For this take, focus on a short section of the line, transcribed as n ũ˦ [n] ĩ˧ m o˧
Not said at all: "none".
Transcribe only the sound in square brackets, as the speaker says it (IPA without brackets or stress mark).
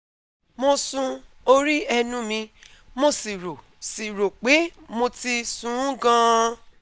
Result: m